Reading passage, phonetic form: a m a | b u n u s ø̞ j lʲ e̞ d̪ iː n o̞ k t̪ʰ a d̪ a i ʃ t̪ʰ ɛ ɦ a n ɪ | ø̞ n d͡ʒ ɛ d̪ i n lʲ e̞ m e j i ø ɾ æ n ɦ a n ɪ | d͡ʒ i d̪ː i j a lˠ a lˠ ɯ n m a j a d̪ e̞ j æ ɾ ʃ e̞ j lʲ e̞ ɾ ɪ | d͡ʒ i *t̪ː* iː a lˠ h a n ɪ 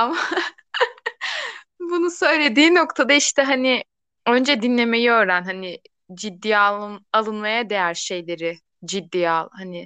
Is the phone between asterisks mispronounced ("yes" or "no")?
yes